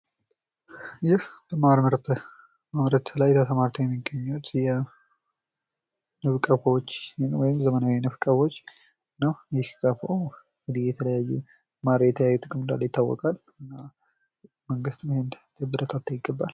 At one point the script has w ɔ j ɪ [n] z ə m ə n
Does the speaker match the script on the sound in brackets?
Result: no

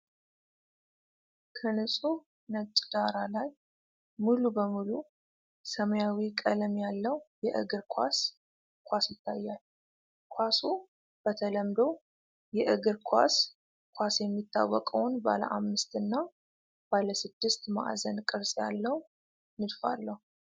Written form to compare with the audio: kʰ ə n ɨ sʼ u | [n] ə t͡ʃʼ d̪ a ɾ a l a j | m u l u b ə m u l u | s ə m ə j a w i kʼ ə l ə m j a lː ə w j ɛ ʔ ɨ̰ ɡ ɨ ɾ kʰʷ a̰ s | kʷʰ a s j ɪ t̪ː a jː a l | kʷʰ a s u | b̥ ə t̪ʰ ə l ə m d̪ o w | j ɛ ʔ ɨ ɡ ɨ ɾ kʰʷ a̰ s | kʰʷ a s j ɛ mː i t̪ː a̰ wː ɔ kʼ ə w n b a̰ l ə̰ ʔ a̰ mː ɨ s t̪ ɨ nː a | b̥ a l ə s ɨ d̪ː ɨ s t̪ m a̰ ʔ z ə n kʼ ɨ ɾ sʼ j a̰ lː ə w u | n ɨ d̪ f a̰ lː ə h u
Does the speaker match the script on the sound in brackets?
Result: yes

